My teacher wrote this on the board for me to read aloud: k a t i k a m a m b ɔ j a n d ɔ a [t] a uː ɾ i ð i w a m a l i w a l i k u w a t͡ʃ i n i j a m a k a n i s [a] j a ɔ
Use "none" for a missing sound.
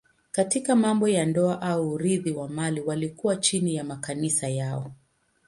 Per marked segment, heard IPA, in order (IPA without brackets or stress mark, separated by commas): ʔ, a